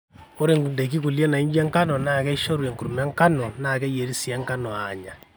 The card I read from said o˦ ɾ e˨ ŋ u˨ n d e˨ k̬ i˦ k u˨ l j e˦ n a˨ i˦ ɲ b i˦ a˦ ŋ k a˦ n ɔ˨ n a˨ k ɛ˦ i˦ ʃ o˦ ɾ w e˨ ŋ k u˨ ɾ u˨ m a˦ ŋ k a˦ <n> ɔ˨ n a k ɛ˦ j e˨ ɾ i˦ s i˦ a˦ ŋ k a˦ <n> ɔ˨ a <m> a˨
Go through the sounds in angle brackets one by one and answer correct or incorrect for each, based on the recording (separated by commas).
correct, correct, incorrect